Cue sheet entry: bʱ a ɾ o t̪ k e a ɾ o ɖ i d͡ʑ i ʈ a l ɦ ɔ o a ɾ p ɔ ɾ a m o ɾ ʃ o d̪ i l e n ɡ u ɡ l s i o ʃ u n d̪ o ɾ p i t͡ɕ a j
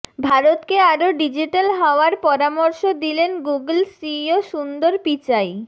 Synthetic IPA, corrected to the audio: bʱ a ɾ o t̪ k e a ɾ o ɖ i d͡ʑ i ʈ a l ɦ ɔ o a ɾ p ɔ ɾ a m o ɾ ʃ o d̪ i l e n ɡ u ɡ l s i o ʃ u n d̪ o ɾ p i t͡ɕ a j